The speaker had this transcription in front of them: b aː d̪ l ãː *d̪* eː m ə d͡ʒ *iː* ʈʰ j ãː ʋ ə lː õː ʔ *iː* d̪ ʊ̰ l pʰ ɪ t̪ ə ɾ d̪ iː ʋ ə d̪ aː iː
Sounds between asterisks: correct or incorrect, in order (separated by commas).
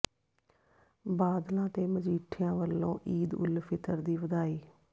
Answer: incorrect, correct, correct